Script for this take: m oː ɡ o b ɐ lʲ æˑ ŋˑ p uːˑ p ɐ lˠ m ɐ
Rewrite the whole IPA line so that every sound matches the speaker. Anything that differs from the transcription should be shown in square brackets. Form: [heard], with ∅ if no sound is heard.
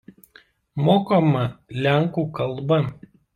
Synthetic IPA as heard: m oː [k] o [m] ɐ lʲ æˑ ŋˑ [k] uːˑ [k] ɐ lˠ [b] ɐ